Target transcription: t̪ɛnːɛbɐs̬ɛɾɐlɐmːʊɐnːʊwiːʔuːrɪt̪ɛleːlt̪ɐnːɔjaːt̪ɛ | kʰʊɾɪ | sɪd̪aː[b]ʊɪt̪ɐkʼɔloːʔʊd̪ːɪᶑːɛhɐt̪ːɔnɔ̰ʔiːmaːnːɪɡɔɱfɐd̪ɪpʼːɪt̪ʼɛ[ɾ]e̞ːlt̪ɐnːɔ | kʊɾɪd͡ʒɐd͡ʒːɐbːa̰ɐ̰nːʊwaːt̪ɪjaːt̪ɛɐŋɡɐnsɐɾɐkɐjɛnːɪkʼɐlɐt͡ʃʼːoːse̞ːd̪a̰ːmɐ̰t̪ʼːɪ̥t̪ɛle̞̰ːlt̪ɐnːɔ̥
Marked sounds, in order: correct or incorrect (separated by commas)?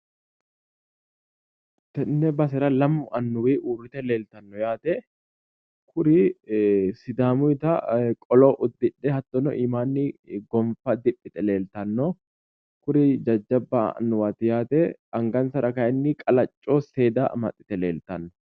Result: incorrect, incorrect